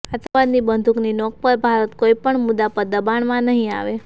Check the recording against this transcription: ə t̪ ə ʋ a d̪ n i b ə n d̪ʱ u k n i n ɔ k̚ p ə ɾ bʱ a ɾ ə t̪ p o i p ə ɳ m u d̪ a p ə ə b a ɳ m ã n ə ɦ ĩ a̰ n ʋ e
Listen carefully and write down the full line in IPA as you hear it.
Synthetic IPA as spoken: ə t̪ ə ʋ a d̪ n i b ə n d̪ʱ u k n i n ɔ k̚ p ə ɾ bʱ a ɾ ə t̪ k o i p ə ɳ m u d̪ a p ə ə b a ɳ m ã n ə ɦ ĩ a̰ ʋ e

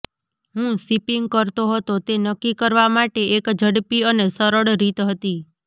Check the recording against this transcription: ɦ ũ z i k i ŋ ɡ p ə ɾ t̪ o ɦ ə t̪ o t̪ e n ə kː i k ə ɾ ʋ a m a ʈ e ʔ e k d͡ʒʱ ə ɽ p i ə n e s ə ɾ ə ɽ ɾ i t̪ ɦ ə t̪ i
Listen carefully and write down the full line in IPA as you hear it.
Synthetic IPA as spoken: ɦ ũ s i p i ŋ ɡ k ə ɾ t̪ o ɦ ə t̪ o t̪ e n ə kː i k ə ɾ ʋ a m a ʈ e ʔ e k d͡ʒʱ ə ɽ p i ə n e s ə ɾ ə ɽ ɾ i t̪ ɦ ə t̪ i

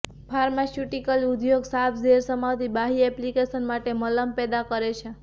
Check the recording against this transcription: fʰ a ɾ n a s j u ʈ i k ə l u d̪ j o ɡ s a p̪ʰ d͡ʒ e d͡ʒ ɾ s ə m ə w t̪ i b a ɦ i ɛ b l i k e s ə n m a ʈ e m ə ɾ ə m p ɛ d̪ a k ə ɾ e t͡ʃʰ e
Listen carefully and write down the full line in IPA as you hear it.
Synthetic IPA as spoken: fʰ a ɾ m a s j u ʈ i k ə l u d̪ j o ɡ s a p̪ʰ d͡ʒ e ɾ s ə m a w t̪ i b a ɦ i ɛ p l i k e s ə n m a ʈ e m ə l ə m p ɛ d̪ a k ə ɾ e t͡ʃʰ e

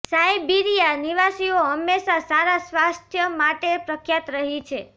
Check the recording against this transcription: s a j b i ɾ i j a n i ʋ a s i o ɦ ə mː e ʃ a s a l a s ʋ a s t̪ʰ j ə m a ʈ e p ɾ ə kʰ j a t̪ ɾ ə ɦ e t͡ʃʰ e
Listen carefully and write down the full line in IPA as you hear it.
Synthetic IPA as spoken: s a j b i ɾ i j a n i ʋ a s i o ɦ ə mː e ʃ a s a ɾ a s ʋ a s t̪ʰ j ə m a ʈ e p ɾ ə kʰ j a t̪ ɾ ə ɦ i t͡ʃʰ e

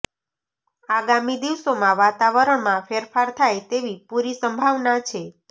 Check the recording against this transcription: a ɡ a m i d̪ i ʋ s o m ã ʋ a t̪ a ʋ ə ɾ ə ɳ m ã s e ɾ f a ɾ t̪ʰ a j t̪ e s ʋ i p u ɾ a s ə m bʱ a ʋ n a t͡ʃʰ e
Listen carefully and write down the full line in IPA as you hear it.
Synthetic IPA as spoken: a ɡ a m i d̪ i ʋ s o m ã ʋ a t̪ a ʋ ə ɾ ə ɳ m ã f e ɾ f a ɾ t̪ʰ a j t̪ e ʋ i p u ɾ i s ə m bʱ a ʋ n a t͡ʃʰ e

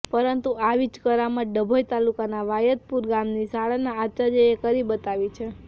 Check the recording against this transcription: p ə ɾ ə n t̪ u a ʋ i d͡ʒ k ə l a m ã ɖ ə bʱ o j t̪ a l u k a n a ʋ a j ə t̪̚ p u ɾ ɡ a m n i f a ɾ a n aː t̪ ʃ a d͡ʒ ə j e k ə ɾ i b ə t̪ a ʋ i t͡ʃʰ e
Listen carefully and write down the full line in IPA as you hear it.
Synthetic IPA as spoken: p ə ɾ ə n t̪ u a ʋ i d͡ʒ k ə ɾ a m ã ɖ ə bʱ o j t̪ a l u k a n a ʋ a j ə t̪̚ p u ɾ ɡ a m n i s a ɭ a n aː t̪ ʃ a d͡ʒ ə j e k ə ɾ i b ə t̪ a ʋ i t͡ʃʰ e

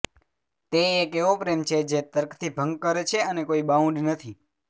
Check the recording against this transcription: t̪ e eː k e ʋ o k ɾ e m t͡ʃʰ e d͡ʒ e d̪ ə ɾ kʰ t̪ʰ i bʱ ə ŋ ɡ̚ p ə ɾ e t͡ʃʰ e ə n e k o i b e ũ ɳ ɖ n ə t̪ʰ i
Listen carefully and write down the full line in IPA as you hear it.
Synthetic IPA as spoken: t̪ e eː k e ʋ o p ɾ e m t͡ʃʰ e d͡ʒ e t̪ ə ɾ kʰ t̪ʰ i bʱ ə ŋ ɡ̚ k ə ɾ e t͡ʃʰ e ə n e k o i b a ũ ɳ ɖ n ə t̪ʰ i

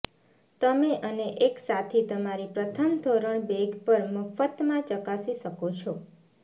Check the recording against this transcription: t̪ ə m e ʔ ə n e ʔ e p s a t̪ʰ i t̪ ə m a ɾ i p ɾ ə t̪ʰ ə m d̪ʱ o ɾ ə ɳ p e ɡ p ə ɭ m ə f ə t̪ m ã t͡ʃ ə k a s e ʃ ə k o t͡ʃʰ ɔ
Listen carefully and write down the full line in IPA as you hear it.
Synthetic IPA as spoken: t̪ ə m e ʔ ə n e ʔ e k s a t̪ʰ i t̪ ə m a ɾ i p ɾ ə t̪ʰ ə m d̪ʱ o ɾ ə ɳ b e ɡ p ə ɾ m ə f ə t̪ m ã t͡ʃ ə k a s i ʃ ə k o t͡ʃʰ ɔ

